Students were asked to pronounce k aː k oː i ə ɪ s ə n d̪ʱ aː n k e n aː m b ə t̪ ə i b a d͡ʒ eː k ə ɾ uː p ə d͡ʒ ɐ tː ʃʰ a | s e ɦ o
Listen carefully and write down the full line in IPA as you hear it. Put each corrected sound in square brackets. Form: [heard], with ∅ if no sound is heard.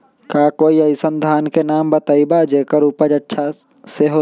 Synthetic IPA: k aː k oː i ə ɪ s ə n d̪ʱ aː n k e n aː m b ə t̪ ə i b a d͡ʒ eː k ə ɾ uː p ə d͡ʒ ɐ tː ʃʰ a | s e ɦ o